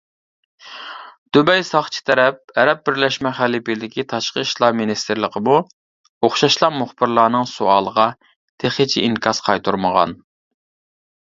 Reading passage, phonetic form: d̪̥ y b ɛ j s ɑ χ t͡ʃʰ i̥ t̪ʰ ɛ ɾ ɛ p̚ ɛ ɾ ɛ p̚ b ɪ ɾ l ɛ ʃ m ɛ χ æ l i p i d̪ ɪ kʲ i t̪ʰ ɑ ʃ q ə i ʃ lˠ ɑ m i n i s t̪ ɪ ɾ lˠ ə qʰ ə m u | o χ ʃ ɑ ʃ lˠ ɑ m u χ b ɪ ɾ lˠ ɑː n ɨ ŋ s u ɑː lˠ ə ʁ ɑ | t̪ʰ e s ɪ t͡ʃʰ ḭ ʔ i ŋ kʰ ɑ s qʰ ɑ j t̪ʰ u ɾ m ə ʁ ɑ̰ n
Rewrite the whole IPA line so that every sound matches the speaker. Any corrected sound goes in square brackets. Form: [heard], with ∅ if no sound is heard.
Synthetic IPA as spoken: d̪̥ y b ɛ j s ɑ χ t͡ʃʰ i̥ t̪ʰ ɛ ɾ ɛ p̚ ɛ ɾ ɛ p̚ b ɪ ɾ l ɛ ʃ m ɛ χ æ l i p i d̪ ɪ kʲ i t̪ʰ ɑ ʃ q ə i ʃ lˠ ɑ m i n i s t̪ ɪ ɾ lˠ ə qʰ ə m u | o χ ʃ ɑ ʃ lˠ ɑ m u χ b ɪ ɾ lˠ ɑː n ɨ ŋ s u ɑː lˠ ə ʁ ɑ | t̪ʰ e [χ] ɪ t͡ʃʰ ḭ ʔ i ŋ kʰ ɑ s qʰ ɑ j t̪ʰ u ɾ m ə ʁ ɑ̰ n